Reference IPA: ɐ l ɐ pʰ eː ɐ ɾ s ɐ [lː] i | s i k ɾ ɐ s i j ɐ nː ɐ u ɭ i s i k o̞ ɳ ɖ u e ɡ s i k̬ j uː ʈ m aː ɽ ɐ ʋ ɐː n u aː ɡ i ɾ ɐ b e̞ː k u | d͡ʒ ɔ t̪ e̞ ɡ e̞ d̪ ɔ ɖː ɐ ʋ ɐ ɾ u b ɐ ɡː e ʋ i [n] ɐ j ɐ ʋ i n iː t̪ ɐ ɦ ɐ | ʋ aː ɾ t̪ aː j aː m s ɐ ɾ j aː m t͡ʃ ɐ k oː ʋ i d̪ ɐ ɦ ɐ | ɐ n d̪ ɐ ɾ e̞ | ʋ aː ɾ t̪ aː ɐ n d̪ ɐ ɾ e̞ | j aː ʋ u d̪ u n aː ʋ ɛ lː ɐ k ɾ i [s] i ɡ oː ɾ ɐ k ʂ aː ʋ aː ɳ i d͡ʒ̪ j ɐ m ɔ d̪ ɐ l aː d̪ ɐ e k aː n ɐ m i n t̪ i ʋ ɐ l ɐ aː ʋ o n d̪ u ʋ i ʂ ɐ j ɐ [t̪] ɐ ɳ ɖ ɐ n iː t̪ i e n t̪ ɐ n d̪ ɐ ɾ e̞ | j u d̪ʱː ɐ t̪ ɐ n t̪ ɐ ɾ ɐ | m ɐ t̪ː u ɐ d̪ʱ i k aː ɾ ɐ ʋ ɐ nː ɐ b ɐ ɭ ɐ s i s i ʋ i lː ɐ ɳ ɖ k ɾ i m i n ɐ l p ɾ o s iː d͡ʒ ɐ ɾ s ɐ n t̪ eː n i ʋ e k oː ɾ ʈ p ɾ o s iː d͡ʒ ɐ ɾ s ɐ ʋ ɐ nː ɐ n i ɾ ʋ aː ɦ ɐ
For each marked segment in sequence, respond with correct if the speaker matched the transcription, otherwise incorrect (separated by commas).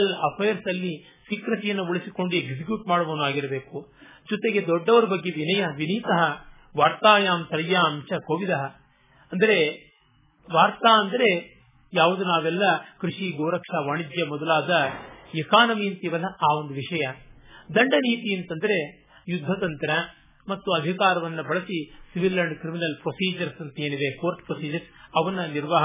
correct, correct, incorrect, incorrect